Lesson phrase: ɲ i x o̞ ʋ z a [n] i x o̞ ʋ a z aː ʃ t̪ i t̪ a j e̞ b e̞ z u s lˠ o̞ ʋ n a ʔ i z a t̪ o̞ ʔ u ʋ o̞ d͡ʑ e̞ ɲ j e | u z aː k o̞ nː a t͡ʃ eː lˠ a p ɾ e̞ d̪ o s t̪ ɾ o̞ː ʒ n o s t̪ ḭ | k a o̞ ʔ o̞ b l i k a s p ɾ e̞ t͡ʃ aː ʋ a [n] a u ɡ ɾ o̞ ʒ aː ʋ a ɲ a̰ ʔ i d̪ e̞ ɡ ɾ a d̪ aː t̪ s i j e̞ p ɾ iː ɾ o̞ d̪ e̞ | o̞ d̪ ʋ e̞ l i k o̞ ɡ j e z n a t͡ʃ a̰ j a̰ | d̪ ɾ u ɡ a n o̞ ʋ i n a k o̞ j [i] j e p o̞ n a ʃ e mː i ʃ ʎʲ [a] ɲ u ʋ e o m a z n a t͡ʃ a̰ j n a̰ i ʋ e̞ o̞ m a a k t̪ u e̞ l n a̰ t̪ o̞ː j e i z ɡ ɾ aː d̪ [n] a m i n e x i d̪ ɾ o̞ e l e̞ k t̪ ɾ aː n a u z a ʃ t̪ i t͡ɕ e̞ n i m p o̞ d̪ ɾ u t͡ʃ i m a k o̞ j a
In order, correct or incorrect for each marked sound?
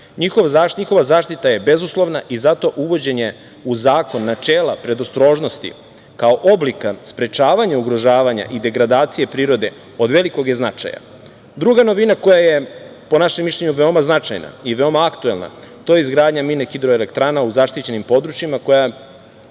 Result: incorrect: ɲ, incorrect: ɲ, incorrect: a, incorrect: e, incorrect: ɲ

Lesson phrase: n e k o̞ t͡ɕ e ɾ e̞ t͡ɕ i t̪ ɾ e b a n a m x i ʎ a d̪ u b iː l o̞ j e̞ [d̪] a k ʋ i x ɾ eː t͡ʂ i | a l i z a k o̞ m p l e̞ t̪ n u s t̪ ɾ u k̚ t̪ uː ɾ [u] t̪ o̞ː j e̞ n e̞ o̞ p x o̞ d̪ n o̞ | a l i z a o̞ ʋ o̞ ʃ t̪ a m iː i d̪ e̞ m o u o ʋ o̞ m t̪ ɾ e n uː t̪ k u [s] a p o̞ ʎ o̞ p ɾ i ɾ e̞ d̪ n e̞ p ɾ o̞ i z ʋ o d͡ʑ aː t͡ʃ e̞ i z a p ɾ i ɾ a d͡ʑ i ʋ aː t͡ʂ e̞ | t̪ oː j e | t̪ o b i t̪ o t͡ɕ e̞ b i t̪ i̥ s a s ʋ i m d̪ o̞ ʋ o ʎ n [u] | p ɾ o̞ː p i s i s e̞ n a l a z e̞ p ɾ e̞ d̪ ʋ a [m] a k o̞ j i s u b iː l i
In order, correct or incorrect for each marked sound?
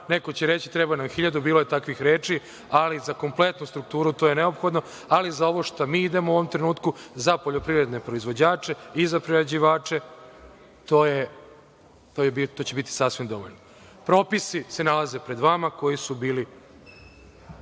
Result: incorrect: t̪, correct, incorrect: z, incorrect: o, correct

